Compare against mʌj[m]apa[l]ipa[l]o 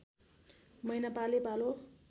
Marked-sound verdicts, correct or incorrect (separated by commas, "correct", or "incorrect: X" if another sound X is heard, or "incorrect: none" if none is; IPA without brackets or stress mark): incorrect: n, correct, correct